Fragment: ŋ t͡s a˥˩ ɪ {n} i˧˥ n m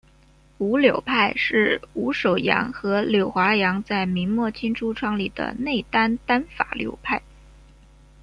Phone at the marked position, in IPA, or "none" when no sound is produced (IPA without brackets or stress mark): m